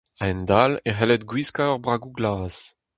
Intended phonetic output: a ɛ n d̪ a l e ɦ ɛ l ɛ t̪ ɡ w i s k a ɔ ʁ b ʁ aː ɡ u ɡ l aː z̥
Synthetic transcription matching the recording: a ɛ n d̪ a l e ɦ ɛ l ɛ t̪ ɡ w i s k a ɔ ʁ b ʁ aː ɡ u ɡ l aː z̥